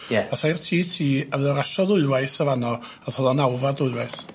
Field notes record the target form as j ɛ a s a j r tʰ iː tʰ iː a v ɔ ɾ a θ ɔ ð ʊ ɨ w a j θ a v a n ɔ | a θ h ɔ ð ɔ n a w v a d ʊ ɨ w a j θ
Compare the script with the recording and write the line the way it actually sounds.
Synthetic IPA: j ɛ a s a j r tʰ iː tʰ iː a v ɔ ɾ a ʃ ɔ ð ʊ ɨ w a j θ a v a n ɔ | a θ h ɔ ð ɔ n a w v a d ʊ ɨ w a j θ